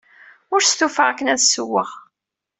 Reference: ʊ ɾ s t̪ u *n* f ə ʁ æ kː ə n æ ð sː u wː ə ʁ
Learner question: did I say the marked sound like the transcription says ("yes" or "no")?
no